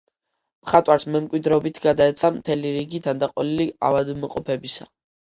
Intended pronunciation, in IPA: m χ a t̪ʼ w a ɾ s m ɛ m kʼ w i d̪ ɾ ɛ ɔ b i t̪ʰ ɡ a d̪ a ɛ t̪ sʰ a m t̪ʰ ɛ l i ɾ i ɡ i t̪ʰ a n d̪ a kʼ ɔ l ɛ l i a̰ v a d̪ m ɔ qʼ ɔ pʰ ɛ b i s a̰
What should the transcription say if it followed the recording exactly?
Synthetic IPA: m χ a t̪ʼ w a ɾ s m ɛ m kʼ w i d̪ ɾ ɛ ɔ b i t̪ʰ ɡ a d̪ a ɛ t̪ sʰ a m t̪ʰ ɛ l i ɾ i ɡ i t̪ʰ a n d̪ a qʼ ɔ l i l i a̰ v a d̪ m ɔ qʼ ɔ pʰ ɛ b i s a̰